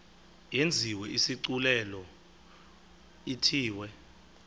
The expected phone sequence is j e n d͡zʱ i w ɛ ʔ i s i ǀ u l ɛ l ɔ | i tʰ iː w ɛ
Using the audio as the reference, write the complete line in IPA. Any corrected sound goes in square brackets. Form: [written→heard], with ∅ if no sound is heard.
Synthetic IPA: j e n d͡zʱ i w ɛ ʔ i s i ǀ u l ɛ l ɔ | i tʰ iː w ɛ